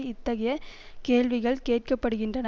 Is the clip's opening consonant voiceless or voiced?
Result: voiceless